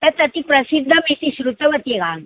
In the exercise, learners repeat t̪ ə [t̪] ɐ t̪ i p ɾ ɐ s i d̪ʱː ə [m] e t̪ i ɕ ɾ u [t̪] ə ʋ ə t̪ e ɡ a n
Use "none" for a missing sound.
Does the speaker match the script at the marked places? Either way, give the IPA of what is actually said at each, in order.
t̪, m, t̪

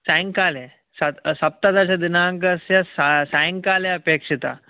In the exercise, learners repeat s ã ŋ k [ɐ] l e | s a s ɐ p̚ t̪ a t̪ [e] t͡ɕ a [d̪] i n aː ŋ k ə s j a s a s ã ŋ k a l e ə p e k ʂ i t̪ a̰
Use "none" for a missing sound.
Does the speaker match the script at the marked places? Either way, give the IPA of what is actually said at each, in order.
a, a, d̪

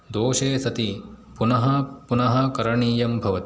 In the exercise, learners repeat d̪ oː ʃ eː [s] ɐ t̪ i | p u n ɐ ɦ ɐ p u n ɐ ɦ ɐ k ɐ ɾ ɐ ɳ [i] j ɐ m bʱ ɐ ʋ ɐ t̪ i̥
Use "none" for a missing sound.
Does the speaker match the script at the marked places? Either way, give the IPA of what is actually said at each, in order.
s, iː

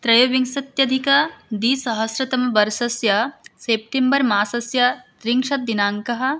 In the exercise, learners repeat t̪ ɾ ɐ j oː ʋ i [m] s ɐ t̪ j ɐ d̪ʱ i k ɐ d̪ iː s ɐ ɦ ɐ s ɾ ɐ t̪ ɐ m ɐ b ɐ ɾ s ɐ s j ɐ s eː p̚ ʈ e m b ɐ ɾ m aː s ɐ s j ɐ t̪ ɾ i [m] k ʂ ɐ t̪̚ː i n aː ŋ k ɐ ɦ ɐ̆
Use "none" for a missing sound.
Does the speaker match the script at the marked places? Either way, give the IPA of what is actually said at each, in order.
ŋ, ŋ

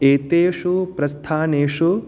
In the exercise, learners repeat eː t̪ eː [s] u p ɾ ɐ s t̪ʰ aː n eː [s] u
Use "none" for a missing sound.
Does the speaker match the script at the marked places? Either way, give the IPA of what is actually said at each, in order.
ʂ, ʂ

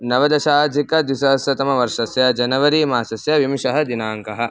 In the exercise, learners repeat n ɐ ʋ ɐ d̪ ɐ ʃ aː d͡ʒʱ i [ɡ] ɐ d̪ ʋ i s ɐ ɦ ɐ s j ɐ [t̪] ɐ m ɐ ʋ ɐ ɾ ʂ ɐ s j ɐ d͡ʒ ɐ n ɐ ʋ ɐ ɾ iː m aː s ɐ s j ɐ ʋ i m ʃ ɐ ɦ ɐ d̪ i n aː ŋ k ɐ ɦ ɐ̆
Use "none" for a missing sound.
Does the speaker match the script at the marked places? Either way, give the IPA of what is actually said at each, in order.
k, t̪

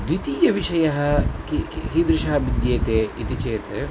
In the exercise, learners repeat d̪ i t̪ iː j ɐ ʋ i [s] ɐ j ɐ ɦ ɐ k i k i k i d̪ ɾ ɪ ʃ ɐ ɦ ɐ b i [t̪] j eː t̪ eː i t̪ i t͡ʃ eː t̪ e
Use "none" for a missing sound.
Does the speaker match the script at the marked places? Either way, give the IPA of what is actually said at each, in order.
ʃ, d̪

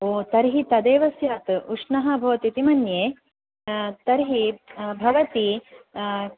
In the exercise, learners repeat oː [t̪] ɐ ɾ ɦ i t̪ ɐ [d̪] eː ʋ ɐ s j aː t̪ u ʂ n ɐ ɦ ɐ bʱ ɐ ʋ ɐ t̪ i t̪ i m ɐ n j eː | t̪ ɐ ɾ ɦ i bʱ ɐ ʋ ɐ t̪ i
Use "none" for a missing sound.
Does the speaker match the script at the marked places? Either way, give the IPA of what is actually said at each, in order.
t̪, d̪

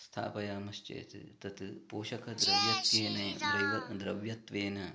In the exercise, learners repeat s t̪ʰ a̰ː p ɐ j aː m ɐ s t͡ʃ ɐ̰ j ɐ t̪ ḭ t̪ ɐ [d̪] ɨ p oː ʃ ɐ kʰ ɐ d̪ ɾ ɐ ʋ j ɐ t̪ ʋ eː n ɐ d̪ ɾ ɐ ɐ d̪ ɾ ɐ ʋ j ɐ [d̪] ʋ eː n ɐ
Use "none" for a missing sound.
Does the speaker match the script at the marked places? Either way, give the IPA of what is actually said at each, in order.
t̪, t̪

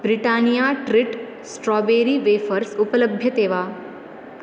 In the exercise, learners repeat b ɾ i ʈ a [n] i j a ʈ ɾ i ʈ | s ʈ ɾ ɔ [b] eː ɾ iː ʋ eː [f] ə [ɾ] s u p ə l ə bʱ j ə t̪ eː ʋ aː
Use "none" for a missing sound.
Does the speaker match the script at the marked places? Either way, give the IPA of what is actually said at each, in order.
n, b, f, ɾ

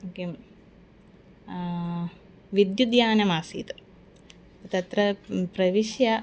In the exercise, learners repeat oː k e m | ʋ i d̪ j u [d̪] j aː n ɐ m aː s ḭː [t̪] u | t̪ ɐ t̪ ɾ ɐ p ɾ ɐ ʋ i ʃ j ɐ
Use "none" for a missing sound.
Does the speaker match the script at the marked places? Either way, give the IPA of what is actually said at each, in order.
d̪, t̪

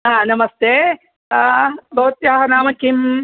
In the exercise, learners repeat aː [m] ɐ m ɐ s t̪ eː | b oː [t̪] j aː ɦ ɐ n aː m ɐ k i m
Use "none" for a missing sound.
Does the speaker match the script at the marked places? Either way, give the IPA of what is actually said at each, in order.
n, t̪

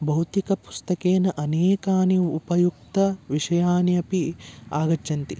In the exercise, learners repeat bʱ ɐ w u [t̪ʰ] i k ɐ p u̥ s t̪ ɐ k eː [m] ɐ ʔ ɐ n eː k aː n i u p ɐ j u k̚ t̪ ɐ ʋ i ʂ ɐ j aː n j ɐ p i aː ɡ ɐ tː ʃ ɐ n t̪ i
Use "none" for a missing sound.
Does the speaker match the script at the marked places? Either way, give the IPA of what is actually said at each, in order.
t̪, n

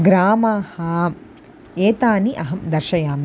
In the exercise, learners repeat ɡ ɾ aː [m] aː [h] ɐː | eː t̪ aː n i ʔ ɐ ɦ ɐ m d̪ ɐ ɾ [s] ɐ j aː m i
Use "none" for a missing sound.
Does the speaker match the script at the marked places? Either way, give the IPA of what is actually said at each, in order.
m, h, ʃ

